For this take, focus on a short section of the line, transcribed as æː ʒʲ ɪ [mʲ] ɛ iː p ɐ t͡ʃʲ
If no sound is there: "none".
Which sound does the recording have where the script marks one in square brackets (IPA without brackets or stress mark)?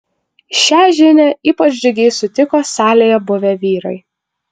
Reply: nʲ